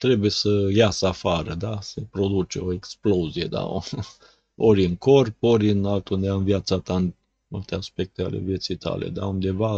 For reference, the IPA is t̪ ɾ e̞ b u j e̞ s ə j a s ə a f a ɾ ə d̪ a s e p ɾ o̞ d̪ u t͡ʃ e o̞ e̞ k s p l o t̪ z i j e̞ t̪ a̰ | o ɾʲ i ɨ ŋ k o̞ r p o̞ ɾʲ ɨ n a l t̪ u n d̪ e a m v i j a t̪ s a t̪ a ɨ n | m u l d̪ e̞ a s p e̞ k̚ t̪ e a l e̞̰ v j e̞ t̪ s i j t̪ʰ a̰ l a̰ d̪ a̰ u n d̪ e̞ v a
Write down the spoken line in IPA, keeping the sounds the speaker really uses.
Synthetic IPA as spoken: t̪ ɾ e̞ b u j e̞ s ə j a s ə a f a ɾ ə d̪ a s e p ɾ o̞ d̪ u t͡ʃ e o̞ e̞ k s p l o z i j e̞ d̪ a̰ | o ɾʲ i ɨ ŋ k o̞ r p o̞ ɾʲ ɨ n a l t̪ u n d̪ e a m v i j a t̪ s a t̪ a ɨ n | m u l t̪ e̞ a s p e̞ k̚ t̪ e a l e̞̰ v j e̞ t̪ s i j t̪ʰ a̰ l ḛ d̪ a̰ u n d̪ e̞ v a